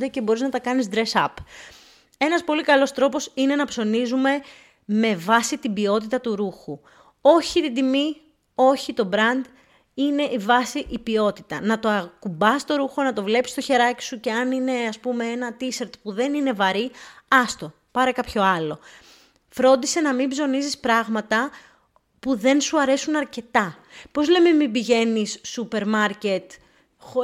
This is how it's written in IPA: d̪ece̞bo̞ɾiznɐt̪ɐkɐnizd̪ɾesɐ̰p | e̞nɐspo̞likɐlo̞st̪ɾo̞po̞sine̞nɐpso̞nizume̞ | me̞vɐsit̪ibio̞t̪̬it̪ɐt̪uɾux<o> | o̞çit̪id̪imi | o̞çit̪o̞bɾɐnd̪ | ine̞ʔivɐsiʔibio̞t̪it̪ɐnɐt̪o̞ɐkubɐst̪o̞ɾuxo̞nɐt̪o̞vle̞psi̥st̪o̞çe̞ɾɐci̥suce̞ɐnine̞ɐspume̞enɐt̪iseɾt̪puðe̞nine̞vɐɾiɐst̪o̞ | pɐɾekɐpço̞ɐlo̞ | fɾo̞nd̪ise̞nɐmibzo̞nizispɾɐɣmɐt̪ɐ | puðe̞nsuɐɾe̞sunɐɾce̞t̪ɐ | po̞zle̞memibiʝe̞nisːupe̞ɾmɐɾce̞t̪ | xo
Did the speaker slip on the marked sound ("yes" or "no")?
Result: yes